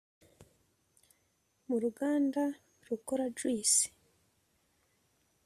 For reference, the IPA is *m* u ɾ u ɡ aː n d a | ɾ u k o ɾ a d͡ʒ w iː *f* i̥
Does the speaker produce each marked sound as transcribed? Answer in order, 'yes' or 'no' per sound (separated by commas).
yes, no